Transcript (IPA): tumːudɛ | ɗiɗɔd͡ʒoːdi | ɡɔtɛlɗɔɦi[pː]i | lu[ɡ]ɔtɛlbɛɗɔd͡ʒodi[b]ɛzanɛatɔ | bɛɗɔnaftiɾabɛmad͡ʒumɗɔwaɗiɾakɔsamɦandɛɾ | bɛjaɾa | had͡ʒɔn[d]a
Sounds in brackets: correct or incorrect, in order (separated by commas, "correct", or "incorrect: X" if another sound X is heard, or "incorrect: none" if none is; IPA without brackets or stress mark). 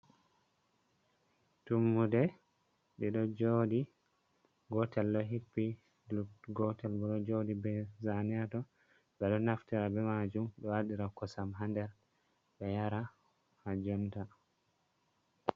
correct, correct, correct, incorrect: t